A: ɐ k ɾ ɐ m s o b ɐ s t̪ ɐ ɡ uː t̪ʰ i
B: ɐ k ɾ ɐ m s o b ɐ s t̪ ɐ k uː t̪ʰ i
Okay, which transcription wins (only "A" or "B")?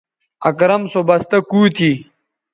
B